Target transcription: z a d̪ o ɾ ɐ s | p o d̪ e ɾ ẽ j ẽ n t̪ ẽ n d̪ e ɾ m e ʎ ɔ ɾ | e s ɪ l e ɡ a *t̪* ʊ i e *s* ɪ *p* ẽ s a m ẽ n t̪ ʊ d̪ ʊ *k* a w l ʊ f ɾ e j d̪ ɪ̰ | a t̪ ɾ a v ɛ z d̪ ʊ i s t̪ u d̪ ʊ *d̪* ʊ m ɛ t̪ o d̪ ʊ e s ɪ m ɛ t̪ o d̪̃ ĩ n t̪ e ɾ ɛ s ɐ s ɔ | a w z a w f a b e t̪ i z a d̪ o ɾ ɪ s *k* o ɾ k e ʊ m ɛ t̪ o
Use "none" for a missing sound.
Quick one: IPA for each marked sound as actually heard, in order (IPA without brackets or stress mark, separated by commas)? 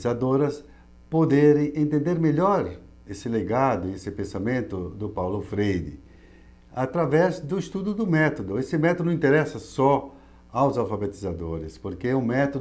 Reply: d̪, s, p, p, d̪, p